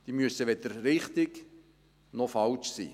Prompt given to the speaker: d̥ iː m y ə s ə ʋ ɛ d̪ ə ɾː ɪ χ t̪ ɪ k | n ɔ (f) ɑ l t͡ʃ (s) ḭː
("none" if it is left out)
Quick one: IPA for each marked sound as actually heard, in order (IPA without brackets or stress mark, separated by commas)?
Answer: f, s